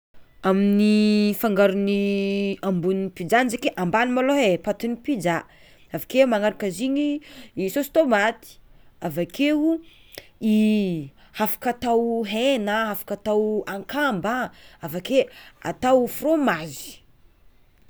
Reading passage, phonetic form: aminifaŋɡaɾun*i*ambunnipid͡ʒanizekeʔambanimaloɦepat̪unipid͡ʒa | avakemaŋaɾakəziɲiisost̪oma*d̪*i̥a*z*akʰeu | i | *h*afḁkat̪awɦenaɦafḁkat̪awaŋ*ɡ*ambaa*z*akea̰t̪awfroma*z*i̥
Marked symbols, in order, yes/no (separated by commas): yes, no, no, yes, no, no, yes